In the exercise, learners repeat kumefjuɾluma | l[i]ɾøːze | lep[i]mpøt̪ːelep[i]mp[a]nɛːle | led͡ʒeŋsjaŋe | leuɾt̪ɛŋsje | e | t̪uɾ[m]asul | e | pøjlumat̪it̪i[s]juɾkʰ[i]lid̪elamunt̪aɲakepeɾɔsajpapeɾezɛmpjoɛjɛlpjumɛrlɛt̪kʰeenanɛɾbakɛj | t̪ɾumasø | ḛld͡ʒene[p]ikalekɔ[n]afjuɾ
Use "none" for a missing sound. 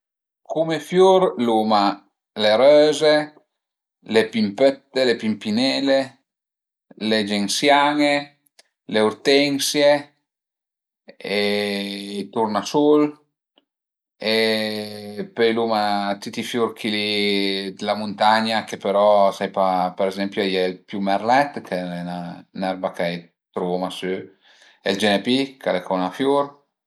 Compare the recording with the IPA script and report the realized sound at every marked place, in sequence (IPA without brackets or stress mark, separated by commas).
e, i, i, i, n, f, i, p, n